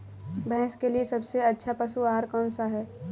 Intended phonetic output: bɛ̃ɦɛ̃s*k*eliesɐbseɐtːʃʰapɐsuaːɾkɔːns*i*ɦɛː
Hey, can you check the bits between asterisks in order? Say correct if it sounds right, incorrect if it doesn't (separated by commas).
correct, incorrect